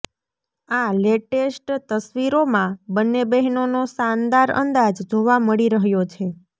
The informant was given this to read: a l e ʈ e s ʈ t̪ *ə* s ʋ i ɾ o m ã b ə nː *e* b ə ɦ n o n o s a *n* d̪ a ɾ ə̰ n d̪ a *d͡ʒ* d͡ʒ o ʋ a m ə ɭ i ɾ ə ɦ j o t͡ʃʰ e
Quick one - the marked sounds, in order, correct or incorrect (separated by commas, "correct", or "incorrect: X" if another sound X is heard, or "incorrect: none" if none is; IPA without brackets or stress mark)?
correct, correct, correct, correct